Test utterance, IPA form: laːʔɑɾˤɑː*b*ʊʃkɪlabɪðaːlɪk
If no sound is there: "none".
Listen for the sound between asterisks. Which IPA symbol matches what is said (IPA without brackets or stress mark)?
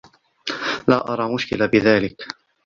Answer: m